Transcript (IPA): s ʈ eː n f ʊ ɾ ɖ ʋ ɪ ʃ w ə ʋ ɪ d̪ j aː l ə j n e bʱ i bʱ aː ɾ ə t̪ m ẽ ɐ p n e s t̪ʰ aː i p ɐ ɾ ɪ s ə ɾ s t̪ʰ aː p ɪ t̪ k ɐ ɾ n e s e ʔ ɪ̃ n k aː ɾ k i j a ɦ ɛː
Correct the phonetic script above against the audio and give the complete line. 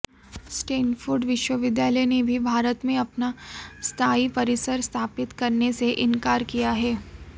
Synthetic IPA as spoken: s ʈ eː n f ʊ ɾ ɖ ʋ ɪ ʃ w ə ʋ ɪ d̪ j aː l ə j n e bʱ i bʱ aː ɾ ə t̪ m ẽ ɐ p n a s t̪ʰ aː i p ɐ ɾ ɪ s ə ɾ s t̪ʰ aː p ɪ t̪ k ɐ ɾ n e s e ʔ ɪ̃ n k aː ɾ k i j a ɦ ɛː